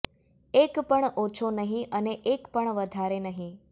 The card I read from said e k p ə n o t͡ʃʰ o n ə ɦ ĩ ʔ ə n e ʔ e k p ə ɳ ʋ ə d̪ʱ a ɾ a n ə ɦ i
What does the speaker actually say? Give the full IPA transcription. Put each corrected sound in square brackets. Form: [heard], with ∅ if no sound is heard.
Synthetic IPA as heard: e k p ə [ɳ] o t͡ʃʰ o n ə ɦ ĩ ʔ ə n e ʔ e k p ə ɳ ʋ ə d̪ʱ a ɾ [e] n ə ɦ [ĩ]

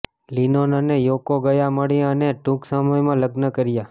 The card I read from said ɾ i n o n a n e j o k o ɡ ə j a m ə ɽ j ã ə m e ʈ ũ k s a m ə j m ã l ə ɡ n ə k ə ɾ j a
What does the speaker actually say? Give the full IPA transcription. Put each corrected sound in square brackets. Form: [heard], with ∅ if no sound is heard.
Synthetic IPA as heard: [l] i n o n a n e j o k o ɡ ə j a m ə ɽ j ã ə [n] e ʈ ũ k s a m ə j m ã l ə ɡ n ə k ə ɾ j a

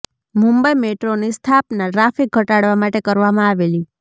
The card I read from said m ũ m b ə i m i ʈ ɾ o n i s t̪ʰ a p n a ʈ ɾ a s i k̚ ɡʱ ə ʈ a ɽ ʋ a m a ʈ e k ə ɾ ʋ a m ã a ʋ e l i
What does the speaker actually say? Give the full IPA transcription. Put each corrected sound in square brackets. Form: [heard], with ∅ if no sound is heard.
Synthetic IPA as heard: m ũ m b ə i m [e] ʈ ɾ o n i s t̪ʰ a p n a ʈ ɾ a [f] i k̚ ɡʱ ə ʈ a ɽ ʋ a m a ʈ e k ə ɾ ʋ a m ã a ʋ e l i

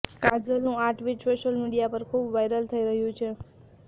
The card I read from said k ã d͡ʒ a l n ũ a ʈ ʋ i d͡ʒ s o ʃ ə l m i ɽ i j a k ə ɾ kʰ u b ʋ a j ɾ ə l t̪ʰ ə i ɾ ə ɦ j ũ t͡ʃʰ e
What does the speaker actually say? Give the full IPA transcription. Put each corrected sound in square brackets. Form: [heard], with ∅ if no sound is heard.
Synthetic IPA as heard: k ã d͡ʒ [ə] l n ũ a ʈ ʋ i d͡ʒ s o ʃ ə l m i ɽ i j a [p] ə ɾ kʰ u b ʋ a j ɾ ə l t̪ʰ ə i ɾ ə ɦ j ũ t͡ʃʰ e

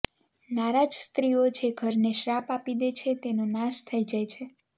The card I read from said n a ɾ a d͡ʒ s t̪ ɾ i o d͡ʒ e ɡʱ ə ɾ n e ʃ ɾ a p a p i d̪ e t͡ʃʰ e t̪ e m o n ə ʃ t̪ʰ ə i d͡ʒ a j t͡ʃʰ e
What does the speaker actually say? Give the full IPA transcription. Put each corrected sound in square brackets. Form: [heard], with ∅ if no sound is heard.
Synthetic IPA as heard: n a ɾ a d͡ʒ s t̪ ɾ i o d͡ʒ e ɡʱ ə ɾ n e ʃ ɾ a p a p i d̪ e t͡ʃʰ e t̪ e [n] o n [a] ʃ t̪ʰ ə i d͡ʒ a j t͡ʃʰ e

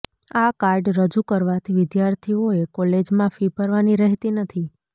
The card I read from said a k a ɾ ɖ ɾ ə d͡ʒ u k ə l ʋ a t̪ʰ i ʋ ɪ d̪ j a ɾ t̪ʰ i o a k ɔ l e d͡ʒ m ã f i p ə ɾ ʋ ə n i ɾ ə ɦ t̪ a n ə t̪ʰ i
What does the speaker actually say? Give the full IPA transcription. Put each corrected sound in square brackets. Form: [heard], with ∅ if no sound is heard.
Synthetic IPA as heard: a k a ɾ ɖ ɾ ə d͡ʒ u k ə [ɾ] ʋ a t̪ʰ i ʋ ɪ d̪ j a ɾ t̪ʰ i o [e] k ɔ l e d͡ʒ m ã f i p ə ɾ ʋ [a] n i ɾ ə ɦ t̪ [i] n ə t̪ʰ i

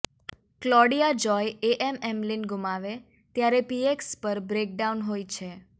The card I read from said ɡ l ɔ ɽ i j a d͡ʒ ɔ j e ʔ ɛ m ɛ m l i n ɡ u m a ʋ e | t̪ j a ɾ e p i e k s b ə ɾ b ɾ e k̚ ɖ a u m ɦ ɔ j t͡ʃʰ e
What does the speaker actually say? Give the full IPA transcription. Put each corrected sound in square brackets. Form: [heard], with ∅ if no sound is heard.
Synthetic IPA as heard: [k] l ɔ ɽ i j a d͡ʒ ɔ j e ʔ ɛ m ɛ m l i n ɡ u m a ʋ e | t̪ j a ɾ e p i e k s [p] ə ɾ b ɾ e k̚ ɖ a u [n] ɦ [o] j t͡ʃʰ e

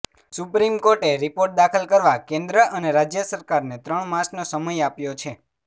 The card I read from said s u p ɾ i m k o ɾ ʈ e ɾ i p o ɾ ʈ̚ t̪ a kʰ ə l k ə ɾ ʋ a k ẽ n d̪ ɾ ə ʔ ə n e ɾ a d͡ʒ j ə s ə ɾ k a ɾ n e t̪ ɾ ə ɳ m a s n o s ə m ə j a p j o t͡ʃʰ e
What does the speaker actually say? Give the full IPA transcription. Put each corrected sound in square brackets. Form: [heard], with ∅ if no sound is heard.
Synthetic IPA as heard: s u p ɾ i m k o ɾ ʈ e ɾ i p o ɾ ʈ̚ [d̪] a kʰ ə l k ə ɾ ʋ a k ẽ n d̪ ɾ ə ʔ ə n e ɾ a d͡ʒ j ə s ə ɾ k a ɾ n e t̪ ɾ ə ɳ m a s n o s ə m ə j a p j o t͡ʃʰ e

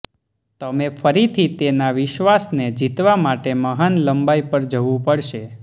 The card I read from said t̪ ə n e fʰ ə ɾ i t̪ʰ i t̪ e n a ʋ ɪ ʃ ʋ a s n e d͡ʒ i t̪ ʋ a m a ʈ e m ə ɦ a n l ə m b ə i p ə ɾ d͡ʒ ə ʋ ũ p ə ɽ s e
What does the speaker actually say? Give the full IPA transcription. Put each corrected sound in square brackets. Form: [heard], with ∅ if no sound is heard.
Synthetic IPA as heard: t̪ ə [m] e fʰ ə ɾ i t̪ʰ i t̪ e n a ʋ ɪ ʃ ʋ a s n e d͡ʒ i t̪ ʋ a m a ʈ e m ə ɦ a n l ə m b [a] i p ə ɾ d͡ʒ ə ʋ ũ p ə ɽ [ʃ] e

